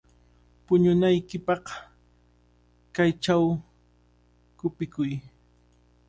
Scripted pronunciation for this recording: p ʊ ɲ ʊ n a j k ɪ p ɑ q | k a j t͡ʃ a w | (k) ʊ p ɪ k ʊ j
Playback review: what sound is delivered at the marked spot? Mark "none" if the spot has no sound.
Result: k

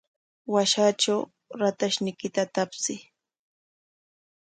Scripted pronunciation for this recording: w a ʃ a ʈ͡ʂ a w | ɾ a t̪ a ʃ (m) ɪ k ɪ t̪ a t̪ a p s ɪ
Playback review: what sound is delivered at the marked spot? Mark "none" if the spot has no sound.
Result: n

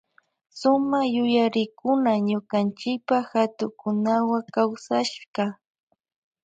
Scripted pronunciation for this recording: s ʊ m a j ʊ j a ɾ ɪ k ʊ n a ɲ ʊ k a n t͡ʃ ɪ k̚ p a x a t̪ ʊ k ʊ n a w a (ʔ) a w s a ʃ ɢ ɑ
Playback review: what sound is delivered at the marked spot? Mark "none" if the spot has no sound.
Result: k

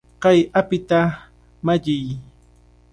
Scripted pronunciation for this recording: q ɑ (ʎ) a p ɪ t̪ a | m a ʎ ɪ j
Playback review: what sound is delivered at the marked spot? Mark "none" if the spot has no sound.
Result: j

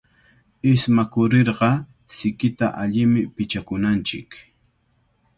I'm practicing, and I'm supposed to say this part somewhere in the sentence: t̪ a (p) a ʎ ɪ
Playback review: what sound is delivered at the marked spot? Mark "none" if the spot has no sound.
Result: ʔ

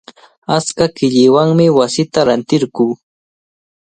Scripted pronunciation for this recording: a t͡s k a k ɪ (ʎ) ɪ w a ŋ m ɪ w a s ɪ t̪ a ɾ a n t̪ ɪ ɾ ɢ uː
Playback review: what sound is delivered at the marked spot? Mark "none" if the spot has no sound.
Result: ʎ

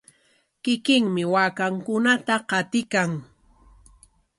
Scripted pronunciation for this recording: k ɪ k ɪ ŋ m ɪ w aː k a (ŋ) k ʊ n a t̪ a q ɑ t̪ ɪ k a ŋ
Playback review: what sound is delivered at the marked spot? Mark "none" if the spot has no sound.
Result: ŋ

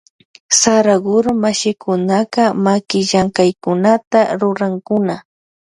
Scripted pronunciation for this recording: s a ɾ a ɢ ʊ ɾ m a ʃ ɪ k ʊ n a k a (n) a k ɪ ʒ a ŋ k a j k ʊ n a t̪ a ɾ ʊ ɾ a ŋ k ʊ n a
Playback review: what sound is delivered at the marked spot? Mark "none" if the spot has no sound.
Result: m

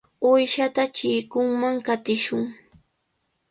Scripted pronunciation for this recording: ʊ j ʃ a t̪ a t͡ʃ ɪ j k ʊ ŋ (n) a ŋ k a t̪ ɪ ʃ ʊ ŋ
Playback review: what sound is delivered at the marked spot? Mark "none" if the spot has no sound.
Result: m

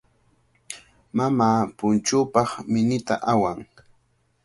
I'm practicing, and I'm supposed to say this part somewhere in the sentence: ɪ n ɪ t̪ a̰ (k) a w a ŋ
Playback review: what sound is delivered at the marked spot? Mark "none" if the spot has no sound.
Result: ʔ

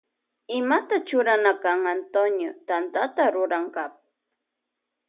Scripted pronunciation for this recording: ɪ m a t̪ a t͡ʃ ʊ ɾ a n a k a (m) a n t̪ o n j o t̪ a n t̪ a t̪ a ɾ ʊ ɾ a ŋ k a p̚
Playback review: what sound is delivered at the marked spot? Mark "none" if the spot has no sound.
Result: ŋ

